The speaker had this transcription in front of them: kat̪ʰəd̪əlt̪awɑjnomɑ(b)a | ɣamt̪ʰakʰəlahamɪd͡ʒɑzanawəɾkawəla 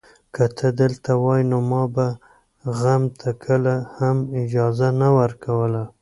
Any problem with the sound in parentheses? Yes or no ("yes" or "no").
no